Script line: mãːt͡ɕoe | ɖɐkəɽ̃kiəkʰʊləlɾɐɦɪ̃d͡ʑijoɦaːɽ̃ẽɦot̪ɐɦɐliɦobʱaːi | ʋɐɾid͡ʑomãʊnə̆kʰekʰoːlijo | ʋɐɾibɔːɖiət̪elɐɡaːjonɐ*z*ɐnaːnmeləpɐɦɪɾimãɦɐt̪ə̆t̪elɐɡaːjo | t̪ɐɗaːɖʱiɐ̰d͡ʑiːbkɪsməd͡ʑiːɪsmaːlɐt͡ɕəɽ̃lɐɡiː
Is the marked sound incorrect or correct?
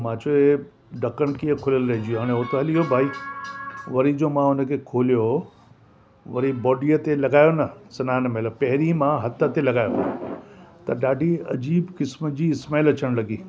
incorrect